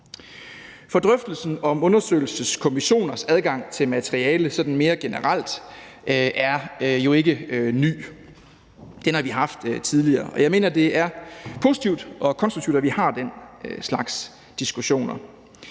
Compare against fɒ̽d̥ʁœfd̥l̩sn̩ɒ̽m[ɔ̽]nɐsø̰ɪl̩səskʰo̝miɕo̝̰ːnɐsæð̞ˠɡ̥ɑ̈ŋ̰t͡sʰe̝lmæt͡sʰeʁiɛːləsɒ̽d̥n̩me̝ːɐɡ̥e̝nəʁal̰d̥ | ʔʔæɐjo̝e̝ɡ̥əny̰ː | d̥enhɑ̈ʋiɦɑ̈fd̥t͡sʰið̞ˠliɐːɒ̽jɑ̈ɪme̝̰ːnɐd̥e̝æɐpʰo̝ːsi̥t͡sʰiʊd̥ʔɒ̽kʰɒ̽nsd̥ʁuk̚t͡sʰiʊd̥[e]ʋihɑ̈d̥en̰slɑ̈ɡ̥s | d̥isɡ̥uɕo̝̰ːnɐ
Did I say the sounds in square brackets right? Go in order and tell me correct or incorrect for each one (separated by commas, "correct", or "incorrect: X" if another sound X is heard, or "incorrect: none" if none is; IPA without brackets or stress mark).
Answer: correct, incorrect: æ